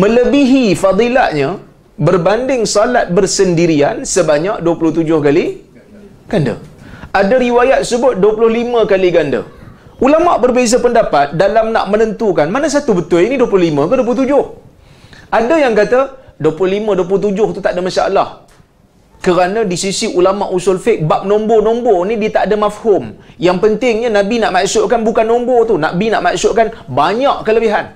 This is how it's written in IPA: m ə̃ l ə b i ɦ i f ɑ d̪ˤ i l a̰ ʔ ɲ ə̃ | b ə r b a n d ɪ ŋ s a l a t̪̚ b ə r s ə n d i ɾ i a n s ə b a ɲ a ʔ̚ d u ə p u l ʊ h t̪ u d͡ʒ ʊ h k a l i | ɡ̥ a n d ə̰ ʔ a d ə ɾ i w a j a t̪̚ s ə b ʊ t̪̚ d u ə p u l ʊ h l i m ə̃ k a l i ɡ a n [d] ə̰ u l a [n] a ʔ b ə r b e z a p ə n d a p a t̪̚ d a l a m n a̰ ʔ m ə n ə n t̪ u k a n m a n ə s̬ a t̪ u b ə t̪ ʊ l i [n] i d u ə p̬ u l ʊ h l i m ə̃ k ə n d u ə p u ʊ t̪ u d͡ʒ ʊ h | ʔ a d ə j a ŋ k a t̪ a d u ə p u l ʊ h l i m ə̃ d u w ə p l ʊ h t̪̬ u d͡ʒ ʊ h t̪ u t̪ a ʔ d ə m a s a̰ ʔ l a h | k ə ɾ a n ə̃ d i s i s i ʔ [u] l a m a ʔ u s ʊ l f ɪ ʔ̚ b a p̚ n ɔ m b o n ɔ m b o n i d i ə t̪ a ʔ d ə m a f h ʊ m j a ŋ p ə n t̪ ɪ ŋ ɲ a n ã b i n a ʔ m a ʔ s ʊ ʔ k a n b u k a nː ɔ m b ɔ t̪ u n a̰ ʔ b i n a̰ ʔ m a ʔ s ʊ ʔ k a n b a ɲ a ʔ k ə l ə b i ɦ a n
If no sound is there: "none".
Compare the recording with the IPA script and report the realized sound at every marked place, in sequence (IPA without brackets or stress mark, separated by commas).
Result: d, m, n, u